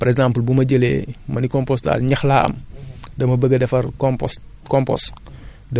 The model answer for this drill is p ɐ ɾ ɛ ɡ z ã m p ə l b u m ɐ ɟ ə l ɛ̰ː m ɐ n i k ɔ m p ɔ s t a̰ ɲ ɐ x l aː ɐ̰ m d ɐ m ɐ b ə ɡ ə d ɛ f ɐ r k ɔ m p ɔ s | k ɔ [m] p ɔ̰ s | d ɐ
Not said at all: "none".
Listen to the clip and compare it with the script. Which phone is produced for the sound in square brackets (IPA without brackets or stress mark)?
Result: m